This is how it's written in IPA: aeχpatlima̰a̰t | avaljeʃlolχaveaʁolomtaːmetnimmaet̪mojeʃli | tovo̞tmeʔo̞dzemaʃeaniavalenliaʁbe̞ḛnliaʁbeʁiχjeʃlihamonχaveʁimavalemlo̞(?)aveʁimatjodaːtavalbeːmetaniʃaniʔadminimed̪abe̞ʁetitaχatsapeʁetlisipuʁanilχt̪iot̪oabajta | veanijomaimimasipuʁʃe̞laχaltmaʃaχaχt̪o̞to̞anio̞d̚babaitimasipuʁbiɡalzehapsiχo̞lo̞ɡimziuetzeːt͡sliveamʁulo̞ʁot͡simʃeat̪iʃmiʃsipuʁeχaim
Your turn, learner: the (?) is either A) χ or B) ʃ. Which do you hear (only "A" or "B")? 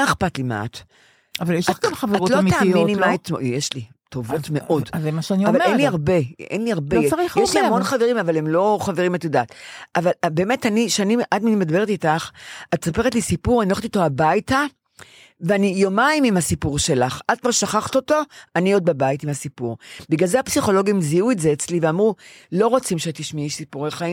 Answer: A